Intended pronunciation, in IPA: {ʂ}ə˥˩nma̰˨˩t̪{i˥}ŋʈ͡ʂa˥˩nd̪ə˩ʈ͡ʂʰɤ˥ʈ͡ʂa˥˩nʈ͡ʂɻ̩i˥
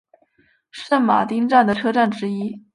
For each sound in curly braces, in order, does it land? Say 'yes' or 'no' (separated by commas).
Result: yes, yes